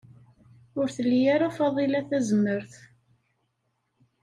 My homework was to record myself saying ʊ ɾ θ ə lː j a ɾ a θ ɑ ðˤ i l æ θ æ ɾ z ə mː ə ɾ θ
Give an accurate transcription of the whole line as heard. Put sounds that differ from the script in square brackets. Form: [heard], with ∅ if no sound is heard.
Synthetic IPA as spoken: ʊ ɾ θ ə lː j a ɾ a [f] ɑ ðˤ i l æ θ æ [∅] z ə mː ə ɾ θ